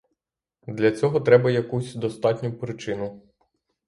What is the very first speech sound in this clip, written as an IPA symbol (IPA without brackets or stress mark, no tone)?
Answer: d̪